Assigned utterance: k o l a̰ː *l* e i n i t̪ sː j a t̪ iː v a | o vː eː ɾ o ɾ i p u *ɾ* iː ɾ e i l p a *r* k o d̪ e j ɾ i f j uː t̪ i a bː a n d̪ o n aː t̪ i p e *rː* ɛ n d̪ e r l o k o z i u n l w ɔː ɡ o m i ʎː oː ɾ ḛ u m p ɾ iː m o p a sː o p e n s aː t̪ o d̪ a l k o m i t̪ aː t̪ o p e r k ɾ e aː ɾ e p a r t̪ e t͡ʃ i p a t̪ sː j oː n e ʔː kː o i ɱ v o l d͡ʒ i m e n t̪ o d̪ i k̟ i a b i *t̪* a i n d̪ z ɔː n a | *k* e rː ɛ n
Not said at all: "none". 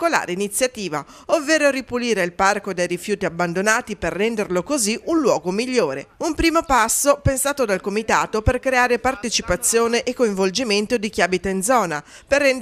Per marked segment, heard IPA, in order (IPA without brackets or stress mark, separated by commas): ɾ, l, r, rː, t̪, p